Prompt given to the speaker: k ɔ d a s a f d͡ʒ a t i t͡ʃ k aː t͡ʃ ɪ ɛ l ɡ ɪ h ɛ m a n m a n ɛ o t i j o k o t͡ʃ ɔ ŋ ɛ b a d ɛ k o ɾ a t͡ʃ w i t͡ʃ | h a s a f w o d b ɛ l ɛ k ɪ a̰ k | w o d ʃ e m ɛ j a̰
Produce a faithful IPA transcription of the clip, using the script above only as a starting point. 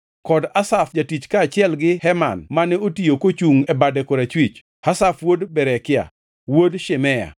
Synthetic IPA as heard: k ɔ d a s a f d͡ʒ a t i t͡ʃ k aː t͡ʃ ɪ ɛ l ɡ ɪ h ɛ m a n m a n ɛ o t i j o k o t͡ʃ u ŋ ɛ b a d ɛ k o ɾ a t͡ʃ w i t͡ʃ | h a s a f w o d b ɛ ɾ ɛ k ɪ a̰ | w o d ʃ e m ɛ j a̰